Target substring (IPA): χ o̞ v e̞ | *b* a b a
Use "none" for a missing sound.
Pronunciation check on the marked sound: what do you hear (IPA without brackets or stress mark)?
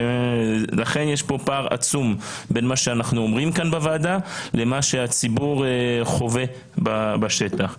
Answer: b